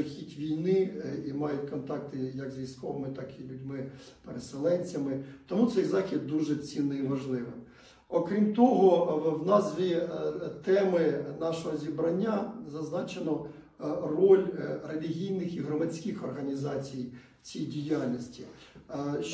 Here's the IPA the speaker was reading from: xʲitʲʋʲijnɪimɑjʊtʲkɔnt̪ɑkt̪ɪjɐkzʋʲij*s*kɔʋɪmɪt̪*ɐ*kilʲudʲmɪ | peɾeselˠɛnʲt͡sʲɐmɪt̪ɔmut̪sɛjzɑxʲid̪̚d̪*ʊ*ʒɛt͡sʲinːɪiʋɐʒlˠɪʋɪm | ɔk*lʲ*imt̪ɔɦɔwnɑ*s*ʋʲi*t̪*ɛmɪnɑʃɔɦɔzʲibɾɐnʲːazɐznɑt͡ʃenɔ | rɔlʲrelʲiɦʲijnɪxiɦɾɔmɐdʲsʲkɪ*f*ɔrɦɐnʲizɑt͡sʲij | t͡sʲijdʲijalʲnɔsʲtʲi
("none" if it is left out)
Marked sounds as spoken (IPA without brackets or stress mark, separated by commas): s, ɑ, u, ɾʲ, z, t̪, x